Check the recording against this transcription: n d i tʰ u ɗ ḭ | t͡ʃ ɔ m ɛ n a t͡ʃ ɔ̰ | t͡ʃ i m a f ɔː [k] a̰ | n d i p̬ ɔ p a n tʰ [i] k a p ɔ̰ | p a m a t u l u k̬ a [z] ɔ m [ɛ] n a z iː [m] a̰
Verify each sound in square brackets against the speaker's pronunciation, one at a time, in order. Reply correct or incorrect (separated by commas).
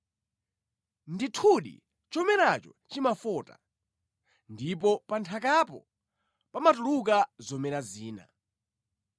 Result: incorrect, incorrect, correct, correct, incorrect